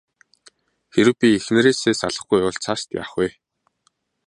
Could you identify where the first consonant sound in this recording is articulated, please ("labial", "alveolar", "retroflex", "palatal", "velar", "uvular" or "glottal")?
velar